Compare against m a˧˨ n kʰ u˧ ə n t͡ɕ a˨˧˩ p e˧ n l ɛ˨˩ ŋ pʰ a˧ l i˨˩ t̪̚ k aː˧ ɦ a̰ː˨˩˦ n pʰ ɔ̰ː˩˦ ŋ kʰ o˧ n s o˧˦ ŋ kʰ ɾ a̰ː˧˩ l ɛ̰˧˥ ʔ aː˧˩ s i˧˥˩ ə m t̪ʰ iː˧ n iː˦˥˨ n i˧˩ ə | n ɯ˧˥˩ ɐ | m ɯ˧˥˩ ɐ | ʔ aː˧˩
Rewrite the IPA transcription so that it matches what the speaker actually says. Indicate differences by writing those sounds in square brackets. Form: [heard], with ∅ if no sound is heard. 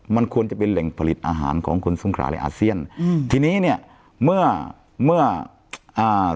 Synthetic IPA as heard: m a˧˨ n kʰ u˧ ə n t͡ɕ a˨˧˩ p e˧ n l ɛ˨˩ ŋ pʰ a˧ l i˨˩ t̪̚ [ʔ] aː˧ ɦ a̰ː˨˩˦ n [kʰ] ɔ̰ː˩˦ ŋ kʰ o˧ n s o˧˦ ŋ kʰ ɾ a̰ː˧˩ l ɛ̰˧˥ ʔ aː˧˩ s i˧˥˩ ə [n] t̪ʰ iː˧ n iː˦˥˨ n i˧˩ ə | [m] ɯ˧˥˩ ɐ | m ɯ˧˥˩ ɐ | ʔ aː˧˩